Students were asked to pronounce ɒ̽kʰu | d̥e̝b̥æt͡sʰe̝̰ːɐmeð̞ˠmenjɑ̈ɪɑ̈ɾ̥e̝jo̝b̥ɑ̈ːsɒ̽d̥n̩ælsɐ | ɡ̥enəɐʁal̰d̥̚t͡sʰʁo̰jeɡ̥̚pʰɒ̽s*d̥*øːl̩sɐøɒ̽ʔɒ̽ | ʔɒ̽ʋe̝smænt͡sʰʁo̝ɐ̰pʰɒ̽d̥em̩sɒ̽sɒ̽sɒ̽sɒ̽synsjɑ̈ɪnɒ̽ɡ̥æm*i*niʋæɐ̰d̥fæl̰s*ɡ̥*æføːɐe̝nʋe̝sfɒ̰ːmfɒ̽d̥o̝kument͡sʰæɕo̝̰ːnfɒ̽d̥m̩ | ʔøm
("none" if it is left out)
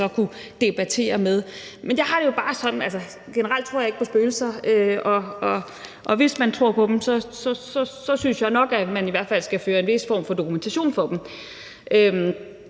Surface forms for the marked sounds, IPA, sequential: b̥, æ, ɡ̥

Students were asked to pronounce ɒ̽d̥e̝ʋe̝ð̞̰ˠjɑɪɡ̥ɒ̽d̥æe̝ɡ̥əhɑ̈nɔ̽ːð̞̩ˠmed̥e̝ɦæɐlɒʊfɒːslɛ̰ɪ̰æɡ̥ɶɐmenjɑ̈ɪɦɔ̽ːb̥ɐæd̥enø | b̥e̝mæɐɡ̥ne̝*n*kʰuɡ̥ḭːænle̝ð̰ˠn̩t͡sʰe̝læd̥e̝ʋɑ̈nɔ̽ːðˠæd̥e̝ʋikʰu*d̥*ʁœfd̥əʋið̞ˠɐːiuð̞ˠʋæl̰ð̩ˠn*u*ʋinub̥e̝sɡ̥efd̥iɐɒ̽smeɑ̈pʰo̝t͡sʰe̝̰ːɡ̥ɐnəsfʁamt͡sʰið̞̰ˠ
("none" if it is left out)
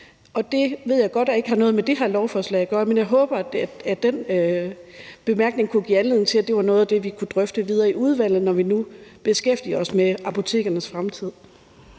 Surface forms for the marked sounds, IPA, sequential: ŋ, d̥, ɒ

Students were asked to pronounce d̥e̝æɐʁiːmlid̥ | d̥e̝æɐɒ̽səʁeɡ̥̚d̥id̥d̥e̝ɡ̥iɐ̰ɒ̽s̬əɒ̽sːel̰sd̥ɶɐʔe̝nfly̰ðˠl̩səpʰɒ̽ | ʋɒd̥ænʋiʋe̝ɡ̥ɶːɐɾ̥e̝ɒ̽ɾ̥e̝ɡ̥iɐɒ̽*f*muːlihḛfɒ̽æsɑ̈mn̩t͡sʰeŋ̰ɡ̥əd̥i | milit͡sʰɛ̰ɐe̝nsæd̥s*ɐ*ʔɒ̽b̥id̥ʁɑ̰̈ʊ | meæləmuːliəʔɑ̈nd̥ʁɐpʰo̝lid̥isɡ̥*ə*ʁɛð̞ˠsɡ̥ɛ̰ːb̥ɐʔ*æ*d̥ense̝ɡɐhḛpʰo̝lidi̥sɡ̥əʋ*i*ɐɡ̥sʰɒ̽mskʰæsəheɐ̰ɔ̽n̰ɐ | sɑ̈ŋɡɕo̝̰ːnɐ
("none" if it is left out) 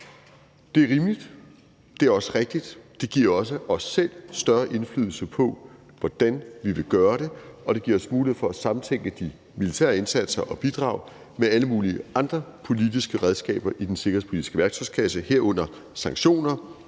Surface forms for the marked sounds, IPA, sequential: s, ɐ, ə, i, æ

